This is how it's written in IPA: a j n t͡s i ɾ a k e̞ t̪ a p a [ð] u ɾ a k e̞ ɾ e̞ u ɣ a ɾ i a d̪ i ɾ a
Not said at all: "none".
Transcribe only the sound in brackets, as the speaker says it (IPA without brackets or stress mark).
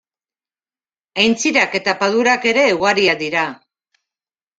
ð